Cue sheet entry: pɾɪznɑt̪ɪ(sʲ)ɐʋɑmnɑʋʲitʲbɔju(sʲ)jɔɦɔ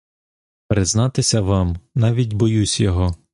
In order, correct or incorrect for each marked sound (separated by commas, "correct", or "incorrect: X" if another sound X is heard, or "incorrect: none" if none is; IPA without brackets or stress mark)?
correct, correct